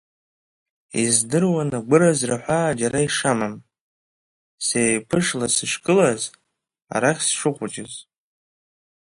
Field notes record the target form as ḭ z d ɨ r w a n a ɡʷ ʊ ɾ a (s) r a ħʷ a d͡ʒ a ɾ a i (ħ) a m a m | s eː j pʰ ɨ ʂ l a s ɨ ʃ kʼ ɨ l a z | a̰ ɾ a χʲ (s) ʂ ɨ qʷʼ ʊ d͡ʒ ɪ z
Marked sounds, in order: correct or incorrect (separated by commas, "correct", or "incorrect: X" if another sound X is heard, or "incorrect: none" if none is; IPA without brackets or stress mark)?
incorrect: z, incorrect: ʂ, correct